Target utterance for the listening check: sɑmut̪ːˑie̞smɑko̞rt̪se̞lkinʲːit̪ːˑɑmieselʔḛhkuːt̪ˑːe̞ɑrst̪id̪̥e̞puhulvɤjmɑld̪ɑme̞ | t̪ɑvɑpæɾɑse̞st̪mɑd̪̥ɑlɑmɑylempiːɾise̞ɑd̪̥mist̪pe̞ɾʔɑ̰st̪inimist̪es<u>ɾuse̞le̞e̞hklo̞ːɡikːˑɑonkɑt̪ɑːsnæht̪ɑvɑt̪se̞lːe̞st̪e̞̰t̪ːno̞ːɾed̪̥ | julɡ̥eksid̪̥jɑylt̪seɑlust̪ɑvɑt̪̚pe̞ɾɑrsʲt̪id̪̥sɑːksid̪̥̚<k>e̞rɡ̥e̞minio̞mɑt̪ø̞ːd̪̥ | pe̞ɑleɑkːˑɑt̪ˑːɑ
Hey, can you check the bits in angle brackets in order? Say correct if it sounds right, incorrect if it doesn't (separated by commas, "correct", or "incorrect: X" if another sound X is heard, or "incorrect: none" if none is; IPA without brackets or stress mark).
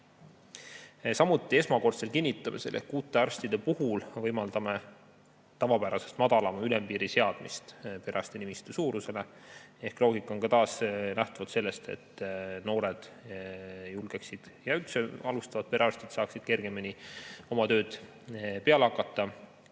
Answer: incorrect: uː, correct